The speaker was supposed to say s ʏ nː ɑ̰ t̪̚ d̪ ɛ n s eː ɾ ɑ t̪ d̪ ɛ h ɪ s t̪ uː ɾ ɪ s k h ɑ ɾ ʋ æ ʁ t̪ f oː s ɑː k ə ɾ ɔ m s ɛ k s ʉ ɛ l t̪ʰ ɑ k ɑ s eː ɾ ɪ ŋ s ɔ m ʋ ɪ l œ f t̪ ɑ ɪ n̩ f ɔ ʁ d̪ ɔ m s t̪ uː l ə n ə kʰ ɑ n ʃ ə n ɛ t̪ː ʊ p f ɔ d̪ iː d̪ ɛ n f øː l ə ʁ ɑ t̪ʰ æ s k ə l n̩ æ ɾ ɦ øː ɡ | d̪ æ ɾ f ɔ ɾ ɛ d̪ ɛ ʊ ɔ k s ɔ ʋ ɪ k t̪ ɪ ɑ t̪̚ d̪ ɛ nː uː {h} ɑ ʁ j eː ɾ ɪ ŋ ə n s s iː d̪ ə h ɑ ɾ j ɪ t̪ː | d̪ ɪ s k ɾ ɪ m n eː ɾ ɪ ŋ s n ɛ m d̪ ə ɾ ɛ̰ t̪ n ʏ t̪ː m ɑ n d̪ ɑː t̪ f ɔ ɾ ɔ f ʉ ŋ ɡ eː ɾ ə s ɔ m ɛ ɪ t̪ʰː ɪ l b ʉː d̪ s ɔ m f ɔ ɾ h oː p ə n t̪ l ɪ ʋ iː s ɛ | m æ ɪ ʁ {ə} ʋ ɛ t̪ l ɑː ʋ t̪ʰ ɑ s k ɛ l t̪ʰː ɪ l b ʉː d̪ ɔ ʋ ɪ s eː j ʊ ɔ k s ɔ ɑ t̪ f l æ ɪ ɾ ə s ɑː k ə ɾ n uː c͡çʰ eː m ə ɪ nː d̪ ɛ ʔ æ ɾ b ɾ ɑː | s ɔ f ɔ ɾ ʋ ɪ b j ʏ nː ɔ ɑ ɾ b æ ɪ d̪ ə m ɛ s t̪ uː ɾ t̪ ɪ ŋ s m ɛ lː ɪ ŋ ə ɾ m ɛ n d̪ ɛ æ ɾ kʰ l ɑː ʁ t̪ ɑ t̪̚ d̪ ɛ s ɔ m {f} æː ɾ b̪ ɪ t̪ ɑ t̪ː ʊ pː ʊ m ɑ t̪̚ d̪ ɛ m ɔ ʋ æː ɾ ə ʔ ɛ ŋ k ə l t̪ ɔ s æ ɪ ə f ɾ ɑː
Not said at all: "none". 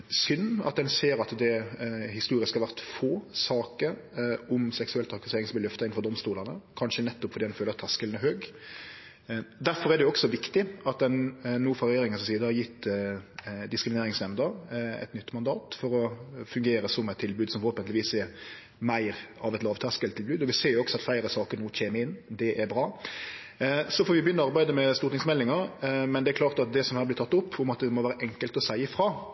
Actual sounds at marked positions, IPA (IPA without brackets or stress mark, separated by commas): f, ɑ, h